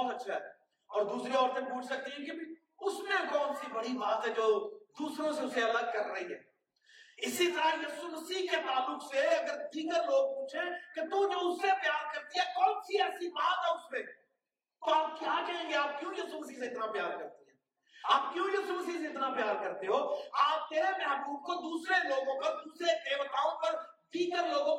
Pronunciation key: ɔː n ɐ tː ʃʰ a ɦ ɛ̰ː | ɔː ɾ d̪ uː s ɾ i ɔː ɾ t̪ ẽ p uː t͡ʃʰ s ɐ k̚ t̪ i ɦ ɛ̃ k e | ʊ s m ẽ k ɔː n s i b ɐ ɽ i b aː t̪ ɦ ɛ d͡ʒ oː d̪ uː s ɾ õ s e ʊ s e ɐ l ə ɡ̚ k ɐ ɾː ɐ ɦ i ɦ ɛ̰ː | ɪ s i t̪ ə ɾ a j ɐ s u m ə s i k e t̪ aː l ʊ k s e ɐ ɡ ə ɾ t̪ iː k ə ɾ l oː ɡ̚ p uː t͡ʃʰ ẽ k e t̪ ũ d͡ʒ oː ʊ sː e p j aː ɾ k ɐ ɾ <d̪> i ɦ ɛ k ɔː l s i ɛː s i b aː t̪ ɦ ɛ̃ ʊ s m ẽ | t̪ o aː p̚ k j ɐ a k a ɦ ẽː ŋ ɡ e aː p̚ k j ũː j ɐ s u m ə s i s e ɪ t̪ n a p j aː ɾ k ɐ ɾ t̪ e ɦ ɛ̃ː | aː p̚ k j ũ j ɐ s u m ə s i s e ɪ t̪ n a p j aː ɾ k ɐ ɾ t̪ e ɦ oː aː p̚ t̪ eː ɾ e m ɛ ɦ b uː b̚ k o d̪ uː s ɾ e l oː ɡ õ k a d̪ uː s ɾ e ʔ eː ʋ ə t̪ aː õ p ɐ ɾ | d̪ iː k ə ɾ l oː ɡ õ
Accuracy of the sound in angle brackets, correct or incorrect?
incorrect